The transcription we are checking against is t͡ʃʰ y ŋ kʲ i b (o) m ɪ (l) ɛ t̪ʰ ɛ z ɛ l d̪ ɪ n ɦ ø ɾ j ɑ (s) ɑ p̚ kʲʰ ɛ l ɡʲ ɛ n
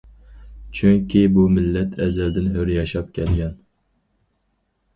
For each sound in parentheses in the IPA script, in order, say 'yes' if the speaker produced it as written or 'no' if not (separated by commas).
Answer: no, no, no